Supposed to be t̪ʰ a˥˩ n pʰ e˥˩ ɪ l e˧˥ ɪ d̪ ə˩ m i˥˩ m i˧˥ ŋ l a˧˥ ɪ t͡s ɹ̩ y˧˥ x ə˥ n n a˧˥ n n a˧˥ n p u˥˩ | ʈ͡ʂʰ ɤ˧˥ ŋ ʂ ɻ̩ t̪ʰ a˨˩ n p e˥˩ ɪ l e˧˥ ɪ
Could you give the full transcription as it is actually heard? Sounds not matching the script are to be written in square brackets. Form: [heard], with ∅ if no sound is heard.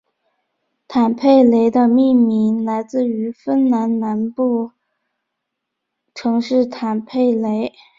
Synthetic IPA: t̪ʰ [a˨˩] n pʰ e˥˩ ɪ l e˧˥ ɪ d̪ [ə˧] m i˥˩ m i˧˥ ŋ l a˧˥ ɪ t͡s ɹ̩ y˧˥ [f] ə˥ n n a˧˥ n n a˧˥ n p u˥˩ | ʈ͡ʂʰ ɤ˧˥ ŋ ʂ ɻ̩ t̪ʰ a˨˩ n [pʰ] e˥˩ ɪ l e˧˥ ɪ